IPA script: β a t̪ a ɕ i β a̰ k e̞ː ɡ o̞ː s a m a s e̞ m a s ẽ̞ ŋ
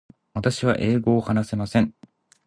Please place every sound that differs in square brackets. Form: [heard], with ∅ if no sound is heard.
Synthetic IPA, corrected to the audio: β a t̪ a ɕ i β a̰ [ʔ] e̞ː ɡ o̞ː [h] a [n] a s e̞ m a s ẽ̞ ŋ